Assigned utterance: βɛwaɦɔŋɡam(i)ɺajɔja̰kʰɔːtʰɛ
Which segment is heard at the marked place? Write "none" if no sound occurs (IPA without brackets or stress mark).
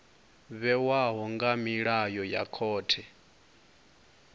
i